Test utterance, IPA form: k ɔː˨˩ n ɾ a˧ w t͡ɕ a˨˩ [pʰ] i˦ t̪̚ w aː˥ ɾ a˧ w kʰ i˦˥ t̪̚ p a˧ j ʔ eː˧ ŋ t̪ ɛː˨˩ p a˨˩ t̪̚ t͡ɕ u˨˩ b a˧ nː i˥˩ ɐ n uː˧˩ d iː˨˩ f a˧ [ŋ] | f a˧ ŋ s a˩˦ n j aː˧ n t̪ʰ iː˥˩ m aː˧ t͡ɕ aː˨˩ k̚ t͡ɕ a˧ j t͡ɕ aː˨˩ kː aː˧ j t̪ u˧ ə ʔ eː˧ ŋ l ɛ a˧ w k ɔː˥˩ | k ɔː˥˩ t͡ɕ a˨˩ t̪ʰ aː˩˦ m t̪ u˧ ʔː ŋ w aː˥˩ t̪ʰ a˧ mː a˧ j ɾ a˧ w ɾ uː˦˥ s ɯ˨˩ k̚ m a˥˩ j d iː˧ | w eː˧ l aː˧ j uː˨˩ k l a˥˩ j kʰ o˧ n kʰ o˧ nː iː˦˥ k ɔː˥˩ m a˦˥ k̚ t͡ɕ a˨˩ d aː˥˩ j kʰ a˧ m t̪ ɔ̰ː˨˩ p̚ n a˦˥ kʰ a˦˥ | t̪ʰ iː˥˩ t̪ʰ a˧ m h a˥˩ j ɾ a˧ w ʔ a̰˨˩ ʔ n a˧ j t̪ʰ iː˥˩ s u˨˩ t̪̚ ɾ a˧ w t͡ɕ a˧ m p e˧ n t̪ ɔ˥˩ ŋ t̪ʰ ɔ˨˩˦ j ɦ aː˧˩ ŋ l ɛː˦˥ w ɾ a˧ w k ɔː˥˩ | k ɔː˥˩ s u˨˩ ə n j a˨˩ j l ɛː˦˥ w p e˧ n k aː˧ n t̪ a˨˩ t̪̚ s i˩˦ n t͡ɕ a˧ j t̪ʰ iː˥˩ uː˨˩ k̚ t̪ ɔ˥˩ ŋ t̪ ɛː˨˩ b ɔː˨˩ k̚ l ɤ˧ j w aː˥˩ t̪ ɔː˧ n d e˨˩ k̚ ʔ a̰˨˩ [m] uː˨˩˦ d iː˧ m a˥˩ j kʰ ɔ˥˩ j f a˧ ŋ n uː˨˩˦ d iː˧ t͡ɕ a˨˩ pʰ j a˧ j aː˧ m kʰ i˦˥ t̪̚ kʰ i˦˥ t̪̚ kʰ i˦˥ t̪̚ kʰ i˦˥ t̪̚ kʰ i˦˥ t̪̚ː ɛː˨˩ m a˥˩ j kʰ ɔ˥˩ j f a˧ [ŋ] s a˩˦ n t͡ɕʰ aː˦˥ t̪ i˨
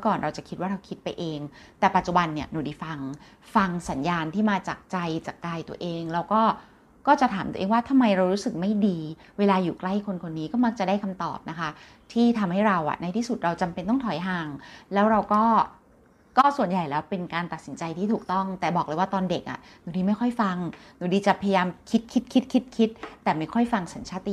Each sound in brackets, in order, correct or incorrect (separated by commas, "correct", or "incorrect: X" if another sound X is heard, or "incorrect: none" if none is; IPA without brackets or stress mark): incorrect: kʰ, correct, incorrect: n, correct